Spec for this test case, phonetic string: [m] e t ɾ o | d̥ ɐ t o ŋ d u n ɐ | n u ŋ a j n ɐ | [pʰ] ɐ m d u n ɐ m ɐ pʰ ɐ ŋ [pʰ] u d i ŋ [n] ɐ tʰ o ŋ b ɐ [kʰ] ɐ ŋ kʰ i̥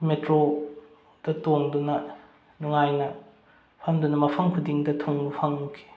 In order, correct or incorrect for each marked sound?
correct, correct, incorrect: kʰ, incorrect: d, incorrect: pʰ

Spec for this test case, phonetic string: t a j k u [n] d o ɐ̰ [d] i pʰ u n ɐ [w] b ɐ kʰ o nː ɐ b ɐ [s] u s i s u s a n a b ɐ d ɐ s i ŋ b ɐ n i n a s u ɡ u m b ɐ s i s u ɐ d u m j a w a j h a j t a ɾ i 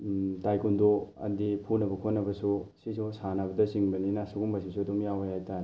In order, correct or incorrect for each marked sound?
correct, correct, incorrect: none, correct

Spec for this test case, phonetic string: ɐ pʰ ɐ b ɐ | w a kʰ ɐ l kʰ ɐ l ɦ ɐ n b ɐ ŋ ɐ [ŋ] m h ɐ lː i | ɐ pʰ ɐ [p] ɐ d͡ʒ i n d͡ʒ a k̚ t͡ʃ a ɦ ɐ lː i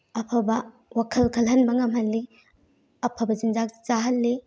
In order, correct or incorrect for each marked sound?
incorrect: none, incorrect: b

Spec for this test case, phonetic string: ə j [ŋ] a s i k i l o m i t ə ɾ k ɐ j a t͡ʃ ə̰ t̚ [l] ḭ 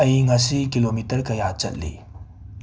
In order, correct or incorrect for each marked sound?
correct, correct

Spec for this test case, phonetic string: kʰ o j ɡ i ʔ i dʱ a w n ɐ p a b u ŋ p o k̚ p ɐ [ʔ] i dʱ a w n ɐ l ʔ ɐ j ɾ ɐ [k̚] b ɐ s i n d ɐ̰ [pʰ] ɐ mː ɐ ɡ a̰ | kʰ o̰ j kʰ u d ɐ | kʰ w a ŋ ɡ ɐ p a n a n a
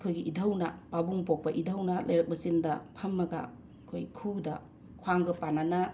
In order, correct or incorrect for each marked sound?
correct, correct, correct

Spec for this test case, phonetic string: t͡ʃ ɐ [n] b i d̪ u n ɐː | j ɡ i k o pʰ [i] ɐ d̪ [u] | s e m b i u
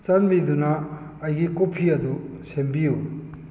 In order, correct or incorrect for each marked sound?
correct, correct, correct

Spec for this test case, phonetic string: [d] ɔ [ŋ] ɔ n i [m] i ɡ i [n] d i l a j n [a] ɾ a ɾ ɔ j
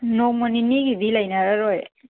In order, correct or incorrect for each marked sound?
incorrect: n, incorrect: m, incorrect: n, incorrect: none, correct

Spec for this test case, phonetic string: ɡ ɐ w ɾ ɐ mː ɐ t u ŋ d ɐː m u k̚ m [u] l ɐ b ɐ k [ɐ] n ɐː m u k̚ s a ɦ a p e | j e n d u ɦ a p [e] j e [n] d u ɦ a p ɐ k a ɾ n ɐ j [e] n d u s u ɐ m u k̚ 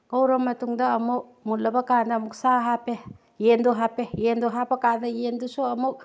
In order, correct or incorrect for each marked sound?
correct, incorrect: a, correct, correct, correct

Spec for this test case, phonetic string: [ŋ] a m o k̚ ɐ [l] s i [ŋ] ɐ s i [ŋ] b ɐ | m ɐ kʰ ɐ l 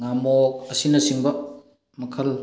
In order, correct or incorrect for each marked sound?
correct, incorrect: none, incorrect: n, correct

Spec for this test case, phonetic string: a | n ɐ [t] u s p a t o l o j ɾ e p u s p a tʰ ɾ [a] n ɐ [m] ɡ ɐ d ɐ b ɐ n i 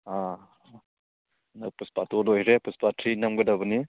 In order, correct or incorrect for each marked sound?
incorrect: p, incorrect: i, correct

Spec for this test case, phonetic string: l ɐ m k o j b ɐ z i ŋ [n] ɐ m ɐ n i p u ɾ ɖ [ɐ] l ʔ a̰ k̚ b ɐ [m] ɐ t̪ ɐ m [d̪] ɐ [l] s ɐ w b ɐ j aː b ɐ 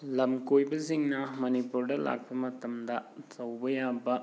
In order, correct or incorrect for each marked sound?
correct, correct, correct, correct, incorrect: none

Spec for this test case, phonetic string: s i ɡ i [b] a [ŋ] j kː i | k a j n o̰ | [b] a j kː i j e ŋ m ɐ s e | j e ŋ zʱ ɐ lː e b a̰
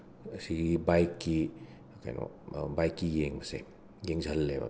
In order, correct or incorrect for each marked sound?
correct, incorrect: none, correct

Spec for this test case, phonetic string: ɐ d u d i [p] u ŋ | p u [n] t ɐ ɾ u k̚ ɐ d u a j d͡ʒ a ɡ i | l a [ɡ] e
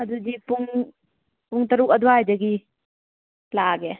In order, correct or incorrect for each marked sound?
correct, incorrect: ŋ, correct

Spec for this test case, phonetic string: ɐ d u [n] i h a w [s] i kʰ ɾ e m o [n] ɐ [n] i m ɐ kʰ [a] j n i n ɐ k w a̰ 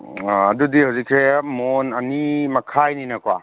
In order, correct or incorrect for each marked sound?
incorrect: d, incorrect: z, correct, correct, correct

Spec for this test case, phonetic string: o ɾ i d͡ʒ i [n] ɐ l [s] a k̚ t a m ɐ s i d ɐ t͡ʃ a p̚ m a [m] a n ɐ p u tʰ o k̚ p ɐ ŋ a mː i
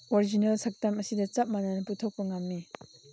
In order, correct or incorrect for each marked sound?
correct, correct, incorrect: n

